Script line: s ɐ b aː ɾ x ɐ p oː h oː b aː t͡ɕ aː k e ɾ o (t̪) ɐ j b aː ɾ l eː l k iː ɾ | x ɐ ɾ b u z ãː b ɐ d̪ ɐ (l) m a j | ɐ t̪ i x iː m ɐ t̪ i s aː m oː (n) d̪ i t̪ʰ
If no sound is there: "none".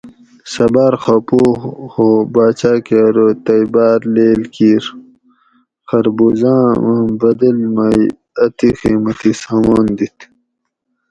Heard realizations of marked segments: t̪, l, n

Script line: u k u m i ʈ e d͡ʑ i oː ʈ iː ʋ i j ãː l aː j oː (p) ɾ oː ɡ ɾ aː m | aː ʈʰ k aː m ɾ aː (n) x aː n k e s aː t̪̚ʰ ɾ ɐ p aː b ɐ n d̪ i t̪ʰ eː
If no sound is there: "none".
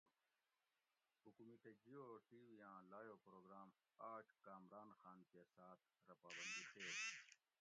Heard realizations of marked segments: p, n

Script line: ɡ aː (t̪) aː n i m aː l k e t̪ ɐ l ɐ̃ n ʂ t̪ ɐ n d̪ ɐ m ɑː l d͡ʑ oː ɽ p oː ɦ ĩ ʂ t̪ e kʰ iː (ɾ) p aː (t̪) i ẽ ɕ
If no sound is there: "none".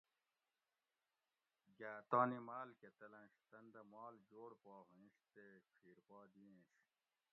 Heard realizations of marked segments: t̪, ɾ, d̪

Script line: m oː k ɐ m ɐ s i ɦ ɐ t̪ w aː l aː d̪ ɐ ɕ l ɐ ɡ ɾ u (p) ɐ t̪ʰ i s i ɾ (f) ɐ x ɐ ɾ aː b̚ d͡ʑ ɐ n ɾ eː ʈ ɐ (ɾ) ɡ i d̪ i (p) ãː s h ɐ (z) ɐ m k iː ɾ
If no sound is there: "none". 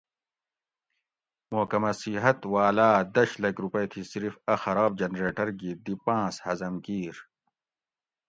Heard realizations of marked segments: p, f, ɾ, p, z

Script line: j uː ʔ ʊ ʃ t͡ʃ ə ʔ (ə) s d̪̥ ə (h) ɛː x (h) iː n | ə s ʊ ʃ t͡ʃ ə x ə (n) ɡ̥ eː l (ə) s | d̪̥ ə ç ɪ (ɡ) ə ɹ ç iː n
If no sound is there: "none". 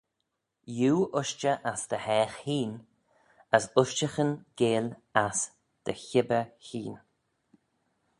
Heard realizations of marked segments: a, h, h, n, a, b

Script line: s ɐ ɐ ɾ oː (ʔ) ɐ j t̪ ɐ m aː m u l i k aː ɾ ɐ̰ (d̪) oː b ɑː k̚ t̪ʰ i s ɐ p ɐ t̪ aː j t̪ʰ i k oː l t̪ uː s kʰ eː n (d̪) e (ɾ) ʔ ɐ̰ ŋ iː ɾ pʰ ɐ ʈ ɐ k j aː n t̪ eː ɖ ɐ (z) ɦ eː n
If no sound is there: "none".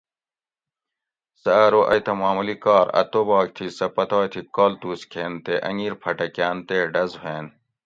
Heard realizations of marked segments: ʔ, t̪, t̪, none, z

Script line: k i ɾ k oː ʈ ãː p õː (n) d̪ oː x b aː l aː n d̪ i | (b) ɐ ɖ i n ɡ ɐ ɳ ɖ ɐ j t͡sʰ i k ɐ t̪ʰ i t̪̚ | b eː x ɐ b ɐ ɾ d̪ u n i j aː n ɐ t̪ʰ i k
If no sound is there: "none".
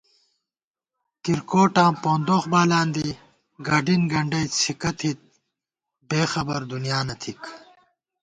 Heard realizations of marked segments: n, ɡ

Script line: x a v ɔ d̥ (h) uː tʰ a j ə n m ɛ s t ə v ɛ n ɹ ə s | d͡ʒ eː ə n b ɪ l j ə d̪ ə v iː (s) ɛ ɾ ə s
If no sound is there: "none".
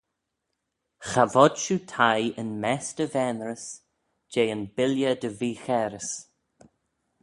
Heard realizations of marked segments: ʃ, x

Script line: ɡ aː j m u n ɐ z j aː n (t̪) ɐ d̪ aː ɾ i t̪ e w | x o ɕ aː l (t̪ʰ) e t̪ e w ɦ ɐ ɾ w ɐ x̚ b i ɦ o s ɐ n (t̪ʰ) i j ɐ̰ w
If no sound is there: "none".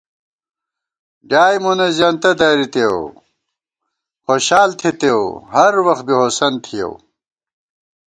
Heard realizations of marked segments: t̪, t̪ʰ, t̪ʰ

